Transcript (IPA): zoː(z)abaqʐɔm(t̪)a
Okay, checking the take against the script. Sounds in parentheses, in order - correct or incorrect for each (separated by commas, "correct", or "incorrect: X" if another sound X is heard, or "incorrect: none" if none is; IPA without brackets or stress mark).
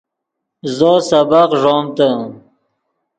incorrect: s, correct